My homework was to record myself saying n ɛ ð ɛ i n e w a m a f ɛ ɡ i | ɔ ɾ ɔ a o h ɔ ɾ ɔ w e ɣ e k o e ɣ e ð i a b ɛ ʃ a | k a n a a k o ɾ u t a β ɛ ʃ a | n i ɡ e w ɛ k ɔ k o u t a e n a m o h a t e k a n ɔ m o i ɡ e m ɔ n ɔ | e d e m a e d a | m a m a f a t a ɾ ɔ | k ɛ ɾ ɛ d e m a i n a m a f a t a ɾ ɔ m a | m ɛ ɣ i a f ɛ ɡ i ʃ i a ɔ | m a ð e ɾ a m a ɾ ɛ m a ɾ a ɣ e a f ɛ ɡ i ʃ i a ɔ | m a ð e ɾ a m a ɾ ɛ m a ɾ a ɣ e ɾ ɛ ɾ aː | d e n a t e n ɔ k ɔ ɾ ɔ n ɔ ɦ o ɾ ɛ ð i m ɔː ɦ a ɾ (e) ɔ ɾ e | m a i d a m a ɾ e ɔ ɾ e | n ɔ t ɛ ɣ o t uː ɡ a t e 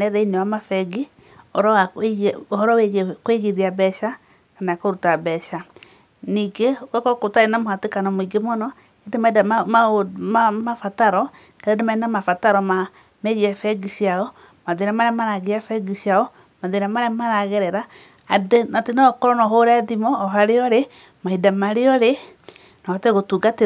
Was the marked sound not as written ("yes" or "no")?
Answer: no